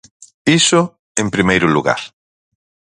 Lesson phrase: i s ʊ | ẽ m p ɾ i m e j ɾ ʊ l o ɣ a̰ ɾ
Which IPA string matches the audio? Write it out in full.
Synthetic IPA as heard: i s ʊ | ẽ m p ɾ i m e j ɾ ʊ l u ɣ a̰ ɾ